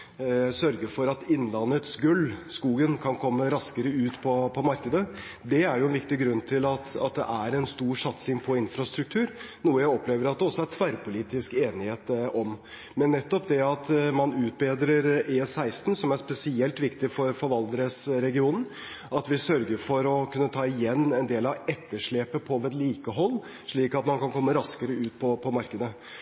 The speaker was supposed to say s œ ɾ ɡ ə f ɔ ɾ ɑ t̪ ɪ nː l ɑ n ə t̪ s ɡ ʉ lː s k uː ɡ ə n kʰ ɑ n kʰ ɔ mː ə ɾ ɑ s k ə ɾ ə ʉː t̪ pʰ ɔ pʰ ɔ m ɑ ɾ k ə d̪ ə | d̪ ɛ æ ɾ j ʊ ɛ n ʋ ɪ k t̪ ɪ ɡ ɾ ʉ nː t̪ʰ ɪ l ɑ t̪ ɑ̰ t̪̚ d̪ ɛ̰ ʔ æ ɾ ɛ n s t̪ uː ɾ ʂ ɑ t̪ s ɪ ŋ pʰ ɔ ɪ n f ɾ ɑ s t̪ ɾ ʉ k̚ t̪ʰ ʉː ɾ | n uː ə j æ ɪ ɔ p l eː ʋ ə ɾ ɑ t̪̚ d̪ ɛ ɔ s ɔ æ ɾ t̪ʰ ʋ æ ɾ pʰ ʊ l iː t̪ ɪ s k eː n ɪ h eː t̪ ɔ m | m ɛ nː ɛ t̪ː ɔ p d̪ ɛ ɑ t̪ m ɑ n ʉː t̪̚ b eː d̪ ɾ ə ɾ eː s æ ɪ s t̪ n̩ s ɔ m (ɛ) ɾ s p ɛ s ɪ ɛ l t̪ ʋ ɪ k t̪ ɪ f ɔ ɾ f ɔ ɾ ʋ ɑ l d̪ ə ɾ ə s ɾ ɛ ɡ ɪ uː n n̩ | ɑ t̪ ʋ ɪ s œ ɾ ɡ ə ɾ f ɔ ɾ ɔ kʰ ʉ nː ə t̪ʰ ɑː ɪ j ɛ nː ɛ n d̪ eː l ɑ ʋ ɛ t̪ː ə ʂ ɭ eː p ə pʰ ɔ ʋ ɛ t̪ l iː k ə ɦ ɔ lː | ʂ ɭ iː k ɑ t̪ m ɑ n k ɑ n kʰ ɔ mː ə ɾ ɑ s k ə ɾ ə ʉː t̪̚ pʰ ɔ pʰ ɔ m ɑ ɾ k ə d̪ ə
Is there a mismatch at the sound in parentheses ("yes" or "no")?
yes